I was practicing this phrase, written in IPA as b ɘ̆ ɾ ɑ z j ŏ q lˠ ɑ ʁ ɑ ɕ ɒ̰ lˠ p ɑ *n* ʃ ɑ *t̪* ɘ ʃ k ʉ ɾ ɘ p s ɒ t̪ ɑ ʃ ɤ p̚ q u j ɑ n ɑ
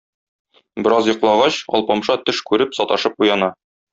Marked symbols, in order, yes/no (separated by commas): no, yes